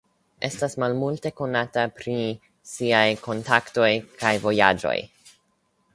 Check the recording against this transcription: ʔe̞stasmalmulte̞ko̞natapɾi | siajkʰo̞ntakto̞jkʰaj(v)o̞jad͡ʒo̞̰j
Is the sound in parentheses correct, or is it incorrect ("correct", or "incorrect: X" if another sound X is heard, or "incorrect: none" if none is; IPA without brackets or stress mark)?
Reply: correct